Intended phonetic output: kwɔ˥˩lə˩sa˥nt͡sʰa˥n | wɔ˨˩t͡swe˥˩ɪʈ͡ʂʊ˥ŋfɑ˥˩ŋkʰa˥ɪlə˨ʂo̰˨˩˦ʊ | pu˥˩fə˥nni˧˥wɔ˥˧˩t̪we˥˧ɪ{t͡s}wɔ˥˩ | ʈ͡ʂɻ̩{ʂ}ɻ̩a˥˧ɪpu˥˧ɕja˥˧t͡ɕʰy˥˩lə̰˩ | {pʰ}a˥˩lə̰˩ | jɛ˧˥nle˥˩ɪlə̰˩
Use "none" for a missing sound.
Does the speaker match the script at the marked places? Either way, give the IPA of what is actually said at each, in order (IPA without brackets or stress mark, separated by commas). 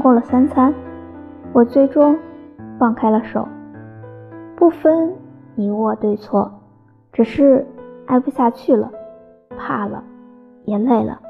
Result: t͡sʰ, ʂ, pʰ